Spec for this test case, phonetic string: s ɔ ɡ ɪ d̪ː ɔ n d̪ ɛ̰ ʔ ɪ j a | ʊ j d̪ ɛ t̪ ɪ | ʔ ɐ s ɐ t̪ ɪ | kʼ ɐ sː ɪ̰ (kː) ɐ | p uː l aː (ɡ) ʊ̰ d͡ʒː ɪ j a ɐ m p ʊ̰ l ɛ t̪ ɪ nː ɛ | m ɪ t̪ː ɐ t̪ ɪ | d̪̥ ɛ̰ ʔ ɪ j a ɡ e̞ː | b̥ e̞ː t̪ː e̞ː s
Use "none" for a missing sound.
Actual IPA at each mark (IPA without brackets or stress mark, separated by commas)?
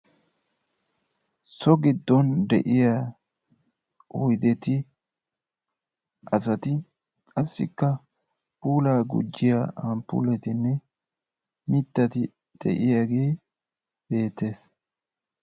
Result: kː, ɡ